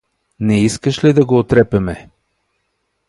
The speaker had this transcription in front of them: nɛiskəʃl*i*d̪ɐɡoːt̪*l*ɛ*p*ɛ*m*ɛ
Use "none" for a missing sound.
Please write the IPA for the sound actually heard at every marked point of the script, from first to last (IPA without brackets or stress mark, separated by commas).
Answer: i, ɾ, p, m